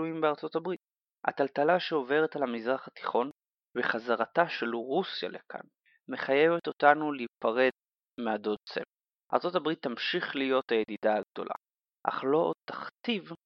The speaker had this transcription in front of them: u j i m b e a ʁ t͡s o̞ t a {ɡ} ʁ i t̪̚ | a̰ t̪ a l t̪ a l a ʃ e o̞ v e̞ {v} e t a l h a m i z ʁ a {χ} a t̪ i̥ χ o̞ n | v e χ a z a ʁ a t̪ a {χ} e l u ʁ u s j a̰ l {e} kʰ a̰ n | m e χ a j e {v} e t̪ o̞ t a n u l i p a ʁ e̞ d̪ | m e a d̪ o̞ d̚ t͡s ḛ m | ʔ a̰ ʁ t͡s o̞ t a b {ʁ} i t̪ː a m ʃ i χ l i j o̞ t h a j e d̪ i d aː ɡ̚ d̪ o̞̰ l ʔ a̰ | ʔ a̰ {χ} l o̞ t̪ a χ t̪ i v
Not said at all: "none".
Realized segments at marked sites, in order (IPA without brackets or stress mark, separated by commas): b, ʁ, χ, ʃ, e, v, ʁ, χ